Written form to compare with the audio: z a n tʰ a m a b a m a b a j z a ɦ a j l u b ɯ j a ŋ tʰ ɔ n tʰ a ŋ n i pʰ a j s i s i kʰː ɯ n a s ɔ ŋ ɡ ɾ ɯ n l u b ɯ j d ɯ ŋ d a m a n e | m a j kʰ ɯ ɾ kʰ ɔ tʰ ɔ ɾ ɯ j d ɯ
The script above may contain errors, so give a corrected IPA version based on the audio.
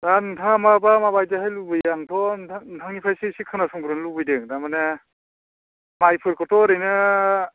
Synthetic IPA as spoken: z a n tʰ a m a b a m a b a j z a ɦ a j l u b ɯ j a ŋ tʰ ɔ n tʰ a ŋ n i pʰ a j s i s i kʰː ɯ n a s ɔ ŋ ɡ ɾ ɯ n l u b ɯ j d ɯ ŋ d a m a n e | m a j pʰ ɯ ɾ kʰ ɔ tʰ ɔ ɾ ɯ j n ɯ